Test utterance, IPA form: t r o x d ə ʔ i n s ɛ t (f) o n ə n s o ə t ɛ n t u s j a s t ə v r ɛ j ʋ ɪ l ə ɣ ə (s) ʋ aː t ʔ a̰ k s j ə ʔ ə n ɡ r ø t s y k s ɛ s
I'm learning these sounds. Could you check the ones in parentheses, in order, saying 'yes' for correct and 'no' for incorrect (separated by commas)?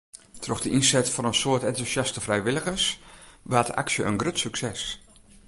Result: yes, yes